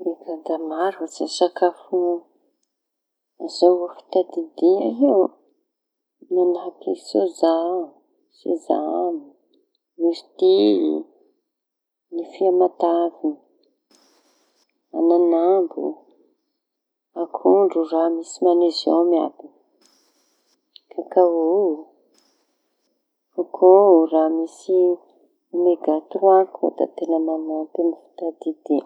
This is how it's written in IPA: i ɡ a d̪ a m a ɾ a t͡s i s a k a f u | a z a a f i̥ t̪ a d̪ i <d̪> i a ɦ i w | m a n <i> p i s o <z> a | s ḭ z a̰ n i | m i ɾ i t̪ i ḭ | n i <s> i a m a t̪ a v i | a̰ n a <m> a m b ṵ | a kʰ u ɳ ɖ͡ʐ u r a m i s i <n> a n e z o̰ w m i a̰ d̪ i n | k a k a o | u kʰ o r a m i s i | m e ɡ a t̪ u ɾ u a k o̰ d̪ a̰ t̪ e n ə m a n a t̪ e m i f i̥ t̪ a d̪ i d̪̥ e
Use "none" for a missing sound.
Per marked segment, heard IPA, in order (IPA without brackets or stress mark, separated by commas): d̪, a, z, f, n, m